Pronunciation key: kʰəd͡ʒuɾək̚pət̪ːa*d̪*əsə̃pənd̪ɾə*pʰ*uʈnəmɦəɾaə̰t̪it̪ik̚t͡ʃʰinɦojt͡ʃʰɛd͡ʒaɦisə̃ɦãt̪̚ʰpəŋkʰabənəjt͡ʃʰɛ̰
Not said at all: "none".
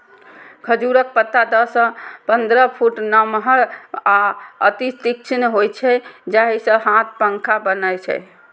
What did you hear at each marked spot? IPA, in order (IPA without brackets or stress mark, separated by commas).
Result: d̪, pʰ